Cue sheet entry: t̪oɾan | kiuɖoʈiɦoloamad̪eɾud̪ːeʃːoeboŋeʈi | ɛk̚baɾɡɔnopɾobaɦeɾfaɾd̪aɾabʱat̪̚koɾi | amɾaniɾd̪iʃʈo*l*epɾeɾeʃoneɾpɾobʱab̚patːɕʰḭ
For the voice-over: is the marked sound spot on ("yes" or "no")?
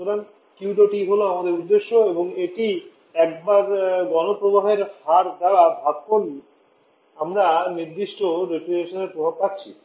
no